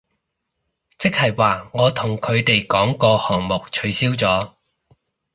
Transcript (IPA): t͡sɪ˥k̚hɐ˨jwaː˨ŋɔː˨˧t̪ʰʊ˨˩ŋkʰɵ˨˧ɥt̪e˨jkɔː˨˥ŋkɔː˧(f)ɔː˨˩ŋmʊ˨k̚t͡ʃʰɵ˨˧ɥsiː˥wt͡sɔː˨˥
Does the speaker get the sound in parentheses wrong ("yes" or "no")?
yes